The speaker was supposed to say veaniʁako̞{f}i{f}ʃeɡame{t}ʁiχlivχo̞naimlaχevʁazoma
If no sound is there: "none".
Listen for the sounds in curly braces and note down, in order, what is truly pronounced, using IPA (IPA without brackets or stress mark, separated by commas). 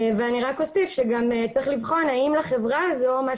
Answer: s, f, t͡s